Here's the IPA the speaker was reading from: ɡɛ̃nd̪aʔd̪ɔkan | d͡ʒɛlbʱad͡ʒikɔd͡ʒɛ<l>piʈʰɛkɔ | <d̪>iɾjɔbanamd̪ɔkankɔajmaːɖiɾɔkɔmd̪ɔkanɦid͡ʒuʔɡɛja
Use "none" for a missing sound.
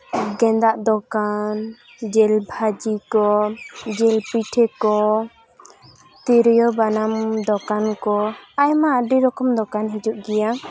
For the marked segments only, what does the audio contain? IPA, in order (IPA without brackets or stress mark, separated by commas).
l, t̪